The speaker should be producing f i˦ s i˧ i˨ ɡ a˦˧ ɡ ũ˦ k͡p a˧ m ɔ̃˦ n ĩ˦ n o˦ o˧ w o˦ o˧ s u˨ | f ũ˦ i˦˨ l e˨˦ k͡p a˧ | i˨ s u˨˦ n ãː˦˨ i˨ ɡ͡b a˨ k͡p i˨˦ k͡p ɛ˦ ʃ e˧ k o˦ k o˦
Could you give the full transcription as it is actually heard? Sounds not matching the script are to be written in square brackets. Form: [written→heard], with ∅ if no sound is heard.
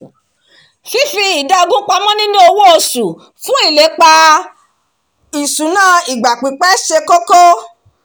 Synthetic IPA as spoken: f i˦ [s→f] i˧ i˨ [ɡ→d] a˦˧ ɡ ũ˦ k͡p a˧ m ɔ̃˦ n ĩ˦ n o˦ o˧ w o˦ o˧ s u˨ | f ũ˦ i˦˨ l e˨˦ k͡p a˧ | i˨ s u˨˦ n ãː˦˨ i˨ ɡ͡b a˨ k͡p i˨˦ k͡p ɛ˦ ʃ e˧ k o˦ k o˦